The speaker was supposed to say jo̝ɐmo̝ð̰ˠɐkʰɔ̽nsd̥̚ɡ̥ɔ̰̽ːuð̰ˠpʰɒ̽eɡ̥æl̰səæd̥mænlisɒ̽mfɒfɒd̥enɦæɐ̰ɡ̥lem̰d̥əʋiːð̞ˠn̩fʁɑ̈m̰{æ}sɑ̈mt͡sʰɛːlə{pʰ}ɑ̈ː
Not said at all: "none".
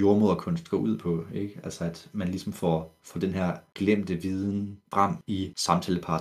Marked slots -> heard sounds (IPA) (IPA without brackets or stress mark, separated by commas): i, pʰ